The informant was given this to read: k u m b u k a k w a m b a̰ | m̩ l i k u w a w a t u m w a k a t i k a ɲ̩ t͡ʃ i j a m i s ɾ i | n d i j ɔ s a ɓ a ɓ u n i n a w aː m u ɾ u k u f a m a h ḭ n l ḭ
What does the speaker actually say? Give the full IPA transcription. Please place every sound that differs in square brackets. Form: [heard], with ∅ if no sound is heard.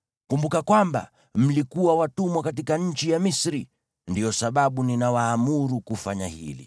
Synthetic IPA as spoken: k u m b u k a k w a m b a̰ | m̩ l i k u w a w a t u m w a k a t i k a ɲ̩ t͡ʃ i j a m i s ɾ i | n d i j ɔ s a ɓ a ɓ u n i n a w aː m u ɾ u k u f a [ɲ] a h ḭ [∅] l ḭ